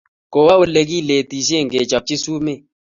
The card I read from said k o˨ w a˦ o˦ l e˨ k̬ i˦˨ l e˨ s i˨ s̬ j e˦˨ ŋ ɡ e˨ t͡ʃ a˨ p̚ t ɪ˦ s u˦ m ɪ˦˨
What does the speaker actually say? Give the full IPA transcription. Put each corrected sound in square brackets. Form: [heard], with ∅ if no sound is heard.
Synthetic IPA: k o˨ w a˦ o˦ l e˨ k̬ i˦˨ l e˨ [t] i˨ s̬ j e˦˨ ŋ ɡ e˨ t͡ʃ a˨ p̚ [t͡ʃ] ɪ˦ s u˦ m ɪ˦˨

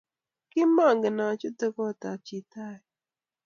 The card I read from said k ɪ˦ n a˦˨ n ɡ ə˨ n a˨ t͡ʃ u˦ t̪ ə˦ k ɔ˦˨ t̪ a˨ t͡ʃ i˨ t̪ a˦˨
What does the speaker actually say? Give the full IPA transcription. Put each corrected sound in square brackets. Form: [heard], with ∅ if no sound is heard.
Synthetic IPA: k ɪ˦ [m] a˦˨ [ŋ] ɡ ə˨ n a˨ t͡ʃ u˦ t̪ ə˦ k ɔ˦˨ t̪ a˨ t͡ʃ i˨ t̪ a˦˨

